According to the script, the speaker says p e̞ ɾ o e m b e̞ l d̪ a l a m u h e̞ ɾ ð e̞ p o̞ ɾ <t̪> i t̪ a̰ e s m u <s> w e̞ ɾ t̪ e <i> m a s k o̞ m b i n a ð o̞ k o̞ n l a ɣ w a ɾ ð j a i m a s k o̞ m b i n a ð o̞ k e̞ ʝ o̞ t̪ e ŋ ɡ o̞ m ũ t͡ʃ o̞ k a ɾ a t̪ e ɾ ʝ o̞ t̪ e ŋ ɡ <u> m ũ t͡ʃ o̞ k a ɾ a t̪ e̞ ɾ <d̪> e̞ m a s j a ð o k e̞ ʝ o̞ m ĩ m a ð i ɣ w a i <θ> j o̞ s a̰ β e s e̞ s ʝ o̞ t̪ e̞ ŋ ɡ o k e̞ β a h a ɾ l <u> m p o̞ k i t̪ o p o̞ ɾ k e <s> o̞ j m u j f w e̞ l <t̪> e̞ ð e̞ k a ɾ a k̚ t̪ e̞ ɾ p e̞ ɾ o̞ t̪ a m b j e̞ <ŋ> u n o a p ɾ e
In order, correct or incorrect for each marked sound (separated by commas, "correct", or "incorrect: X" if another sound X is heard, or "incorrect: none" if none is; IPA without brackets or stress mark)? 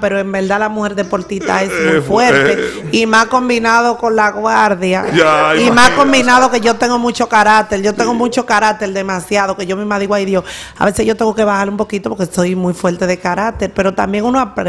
correct, incorrect: f, correct, incorrect: o, correct, incorrect: ð, correct, correct, correct, correct